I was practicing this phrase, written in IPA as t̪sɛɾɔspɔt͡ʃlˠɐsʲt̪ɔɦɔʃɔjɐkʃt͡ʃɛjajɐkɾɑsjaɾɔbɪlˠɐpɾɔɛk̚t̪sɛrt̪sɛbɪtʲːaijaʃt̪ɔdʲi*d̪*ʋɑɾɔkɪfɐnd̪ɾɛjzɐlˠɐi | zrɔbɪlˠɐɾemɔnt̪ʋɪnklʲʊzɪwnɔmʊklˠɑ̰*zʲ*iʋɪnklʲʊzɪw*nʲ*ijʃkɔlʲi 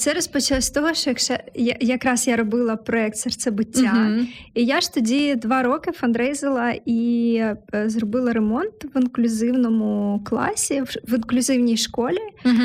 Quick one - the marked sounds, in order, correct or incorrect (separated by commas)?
correct, incorrect, correct